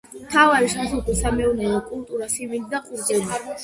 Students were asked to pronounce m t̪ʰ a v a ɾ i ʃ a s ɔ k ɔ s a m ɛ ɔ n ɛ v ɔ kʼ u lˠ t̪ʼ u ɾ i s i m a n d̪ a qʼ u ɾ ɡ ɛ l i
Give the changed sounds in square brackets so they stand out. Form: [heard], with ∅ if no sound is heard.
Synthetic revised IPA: m t̪ʰ a v a ɾ i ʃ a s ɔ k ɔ s a m ɛ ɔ n ɛ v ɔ kʼ u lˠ t̪ʼ u ɾ [a] s i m [i] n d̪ a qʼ u ɾ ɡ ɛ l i

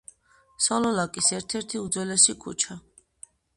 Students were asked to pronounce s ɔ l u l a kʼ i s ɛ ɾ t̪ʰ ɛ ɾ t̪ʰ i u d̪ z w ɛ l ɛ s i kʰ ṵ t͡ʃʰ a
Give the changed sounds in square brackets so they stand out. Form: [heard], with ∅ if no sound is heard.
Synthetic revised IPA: s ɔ l [ɔ] l a kʼ i s ɛ ɾ t̪ʰ ɛ ɾ t̪ʰ i u d̪ z w ɛ l ɛ s i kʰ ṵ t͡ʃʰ a

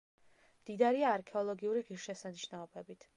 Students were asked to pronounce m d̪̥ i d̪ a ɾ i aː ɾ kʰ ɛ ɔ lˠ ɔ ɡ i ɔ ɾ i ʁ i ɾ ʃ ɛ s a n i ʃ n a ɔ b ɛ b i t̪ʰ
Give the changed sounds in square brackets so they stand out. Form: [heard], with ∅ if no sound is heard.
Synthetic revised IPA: m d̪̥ i d̪ a ɾ i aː ɾ kʰ ɛ ɔ lˠ ɔ ɡ i [u] ɾ i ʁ i ɾ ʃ ɛ s a n i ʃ n a ɔ b ɛ b i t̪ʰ

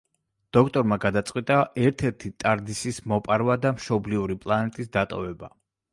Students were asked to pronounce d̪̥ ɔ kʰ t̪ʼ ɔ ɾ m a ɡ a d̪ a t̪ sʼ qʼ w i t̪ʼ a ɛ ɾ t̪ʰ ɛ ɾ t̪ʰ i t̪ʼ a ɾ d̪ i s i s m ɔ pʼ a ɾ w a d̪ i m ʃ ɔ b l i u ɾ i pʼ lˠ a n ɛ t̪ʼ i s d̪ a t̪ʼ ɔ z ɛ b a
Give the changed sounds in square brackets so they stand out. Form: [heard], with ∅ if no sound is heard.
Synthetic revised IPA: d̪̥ ɔ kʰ t̪ʼ ɔ ɾ m a ɡ a d̪ a t̪ sʼ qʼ w i t̪ʼ a ɛ ɾ t̪ʰ ɛ ɾ t̪ʰ i t̪ʼ a ɾ d̪ i s i s m ɔ pʼ a ɾ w a d̪ [a] m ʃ ɔ b l i u ɾ i pʼ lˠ a n ɛ t̪ʼ i s d̪ a t̪ʼ ɔ [v] ɛ b a

